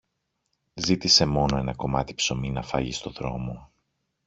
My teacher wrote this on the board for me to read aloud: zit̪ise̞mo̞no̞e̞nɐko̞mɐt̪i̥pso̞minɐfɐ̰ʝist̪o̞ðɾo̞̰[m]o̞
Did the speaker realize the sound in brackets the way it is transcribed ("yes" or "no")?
yes